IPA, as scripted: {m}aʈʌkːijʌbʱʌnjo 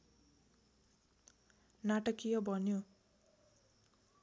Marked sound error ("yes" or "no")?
yes